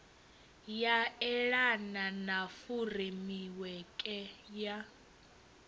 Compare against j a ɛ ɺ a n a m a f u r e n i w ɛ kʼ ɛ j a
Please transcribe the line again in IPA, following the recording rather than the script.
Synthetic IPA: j a ɛ ɺ a n a n a f u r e m i w ɛ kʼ ɛ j a